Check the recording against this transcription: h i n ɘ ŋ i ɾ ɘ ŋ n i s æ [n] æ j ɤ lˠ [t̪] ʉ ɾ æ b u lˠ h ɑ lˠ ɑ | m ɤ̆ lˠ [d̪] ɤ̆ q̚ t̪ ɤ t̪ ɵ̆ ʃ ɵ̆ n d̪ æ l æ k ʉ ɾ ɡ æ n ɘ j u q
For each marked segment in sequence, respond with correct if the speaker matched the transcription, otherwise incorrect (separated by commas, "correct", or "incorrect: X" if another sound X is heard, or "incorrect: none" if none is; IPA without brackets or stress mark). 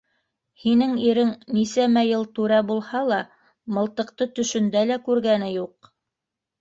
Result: incorrect: m, correct, incorrect: t̪